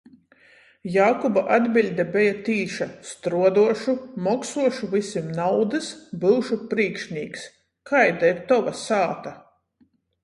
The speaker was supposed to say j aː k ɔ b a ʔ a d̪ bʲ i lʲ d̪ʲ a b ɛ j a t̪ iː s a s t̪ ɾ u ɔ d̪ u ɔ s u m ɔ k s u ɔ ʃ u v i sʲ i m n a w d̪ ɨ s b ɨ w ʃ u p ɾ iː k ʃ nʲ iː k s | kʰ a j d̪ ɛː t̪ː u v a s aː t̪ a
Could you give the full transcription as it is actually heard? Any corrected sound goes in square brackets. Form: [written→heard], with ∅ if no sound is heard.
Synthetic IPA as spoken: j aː k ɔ b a ʔ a d̪ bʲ i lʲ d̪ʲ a b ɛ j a t̪ iː [s→ʃ] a s t̪ ɾ u ɔ d̪ u ɔ [s→ʃ] u m ɔ k s u ɔ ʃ u v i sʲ i m n a w d̪ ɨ s b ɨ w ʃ u p ɾ iː k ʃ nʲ iː k s | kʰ a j d̪ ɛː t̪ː [u→ɔ] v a s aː t̪ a